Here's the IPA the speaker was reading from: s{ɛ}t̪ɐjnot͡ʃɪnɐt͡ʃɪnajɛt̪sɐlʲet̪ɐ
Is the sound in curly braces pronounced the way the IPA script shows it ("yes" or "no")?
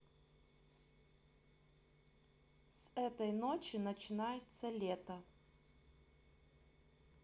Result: yes